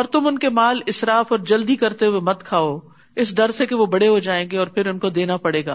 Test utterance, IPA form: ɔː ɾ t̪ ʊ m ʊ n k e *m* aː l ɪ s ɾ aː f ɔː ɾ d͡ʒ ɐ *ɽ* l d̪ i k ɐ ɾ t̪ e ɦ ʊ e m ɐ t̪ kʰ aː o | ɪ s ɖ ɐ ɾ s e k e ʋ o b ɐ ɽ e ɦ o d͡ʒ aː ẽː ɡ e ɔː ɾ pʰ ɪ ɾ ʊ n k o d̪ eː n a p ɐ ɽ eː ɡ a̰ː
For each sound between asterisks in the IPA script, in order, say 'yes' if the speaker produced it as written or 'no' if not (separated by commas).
yes, no